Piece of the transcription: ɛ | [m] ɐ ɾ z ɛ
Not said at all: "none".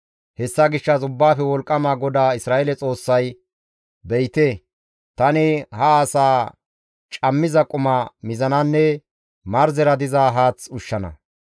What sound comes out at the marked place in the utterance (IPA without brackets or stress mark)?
m